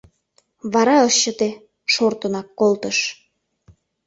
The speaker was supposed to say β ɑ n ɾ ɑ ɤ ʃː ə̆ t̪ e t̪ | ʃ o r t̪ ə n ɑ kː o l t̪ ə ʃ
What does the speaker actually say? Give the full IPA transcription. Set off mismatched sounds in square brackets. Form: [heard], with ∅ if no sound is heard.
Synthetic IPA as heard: β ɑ [∅] ɾ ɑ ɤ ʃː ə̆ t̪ e [∅] | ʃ o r t̪ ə n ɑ kː o l t̪ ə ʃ